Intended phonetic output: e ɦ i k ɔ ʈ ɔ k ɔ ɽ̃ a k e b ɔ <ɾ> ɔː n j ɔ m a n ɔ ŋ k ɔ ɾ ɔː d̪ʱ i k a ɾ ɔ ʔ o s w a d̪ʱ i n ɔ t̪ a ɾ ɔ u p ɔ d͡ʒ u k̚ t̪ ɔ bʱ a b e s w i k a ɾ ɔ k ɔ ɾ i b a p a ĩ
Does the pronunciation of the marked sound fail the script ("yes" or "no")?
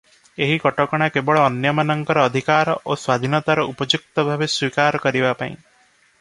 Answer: yes